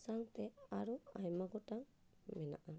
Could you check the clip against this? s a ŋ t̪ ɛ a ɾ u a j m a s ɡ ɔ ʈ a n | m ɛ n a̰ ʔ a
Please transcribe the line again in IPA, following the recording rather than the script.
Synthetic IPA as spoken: s a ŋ t̪ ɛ a ɾ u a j m a ɡ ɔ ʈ a ŋ | m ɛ n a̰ ʔ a